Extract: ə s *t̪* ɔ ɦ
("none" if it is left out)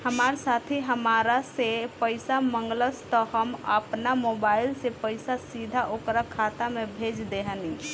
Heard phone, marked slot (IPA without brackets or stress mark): t̪